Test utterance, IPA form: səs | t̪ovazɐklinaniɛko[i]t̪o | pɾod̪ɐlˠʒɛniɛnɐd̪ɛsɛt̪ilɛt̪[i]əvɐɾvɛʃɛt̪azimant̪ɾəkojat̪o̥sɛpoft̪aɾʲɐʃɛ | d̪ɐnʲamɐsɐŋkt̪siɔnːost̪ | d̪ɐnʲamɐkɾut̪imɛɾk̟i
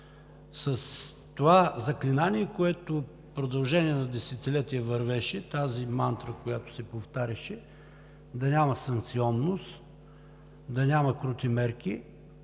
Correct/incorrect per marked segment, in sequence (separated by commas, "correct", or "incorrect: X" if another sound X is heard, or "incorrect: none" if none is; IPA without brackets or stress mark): incorrect: ɛ, correct